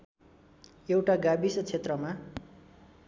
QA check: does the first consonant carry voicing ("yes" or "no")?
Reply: yes